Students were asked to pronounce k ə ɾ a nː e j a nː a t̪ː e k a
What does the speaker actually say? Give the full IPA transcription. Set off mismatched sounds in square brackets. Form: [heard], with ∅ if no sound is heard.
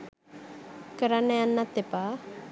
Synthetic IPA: k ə ɾ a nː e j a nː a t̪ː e [p] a